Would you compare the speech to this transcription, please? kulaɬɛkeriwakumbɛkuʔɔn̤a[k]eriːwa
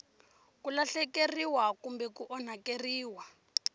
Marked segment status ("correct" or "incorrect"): correct